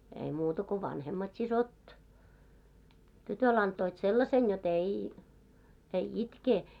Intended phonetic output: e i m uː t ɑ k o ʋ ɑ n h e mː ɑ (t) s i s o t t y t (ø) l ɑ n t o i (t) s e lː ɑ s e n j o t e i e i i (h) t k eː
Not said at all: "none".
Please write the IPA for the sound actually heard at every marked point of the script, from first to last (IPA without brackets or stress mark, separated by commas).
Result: t, ø, t, none